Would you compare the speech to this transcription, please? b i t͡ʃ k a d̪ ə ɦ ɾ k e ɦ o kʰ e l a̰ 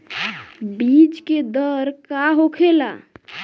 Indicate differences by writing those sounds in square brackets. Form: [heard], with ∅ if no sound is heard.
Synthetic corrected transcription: b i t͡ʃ k [e] d̪ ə [∅] ɾ k [a] ɦ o kʰ e l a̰